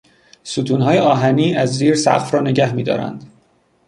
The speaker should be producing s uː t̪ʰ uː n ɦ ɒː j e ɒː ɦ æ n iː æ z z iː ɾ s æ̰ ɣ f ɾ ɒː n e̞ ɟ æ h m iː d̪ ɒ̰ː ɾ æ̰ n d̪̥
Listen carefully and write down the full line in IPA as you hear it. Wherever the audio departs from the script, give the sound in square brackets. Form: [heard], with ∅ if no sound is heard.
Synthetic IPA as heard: s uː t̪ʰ uː n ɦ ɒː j e ɒː ɦ æ n iː æ z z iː ɾ s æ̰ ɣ f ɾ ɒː n e̞ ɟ æ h m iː d̪ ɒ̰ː ɾ æ̰ n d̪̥